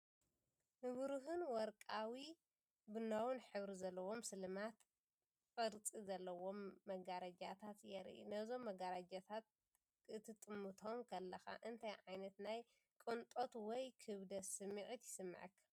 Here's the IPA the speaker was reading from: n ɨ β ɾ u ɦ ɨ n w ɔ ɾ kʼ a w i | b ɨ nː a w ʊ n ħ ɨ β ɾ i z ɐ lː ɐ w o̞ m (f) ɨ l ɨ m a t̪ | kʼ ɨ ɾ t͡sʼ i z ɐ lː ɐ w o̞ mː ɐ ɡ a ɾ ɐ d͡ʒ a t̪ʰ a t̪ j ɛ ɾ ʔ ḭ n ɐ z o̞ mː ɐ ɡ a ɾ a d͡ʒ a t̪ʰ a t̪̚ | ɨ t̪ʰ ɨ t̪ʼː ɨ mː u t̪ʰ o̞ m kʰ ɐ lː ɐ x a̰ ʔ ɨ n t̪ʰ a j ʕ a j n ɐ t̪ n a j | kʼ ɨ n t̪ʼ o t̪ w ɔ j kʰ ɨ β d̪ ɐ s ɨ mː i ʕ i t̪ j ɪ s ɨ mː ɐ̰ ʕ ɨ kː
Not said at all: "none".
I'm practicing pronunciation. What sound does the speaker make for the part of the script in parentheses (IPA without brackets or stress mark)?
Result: s